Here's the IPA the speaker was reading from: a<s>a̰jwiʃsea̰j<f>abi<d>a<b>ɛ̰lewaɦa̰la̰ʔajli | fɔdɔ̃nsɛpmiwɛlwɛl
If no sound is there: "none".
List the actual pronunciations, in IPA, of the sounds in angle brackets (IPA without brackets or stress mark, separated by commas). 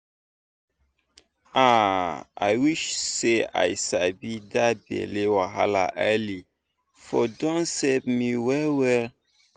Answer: none, s, d, b